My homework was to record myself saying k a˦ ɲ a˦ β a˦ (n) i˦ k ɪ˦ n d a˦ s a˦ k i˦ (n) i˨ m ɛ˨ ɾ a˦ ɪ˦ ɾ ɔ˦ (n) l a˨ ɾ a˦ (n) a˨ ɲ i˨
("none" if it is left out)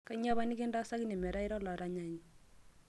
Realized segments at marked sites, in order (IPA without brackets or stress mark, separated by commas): n, n, none, ɲ